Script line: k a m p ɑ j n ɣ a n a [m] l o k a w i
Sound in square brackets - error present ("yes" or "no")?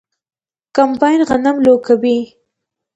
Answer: no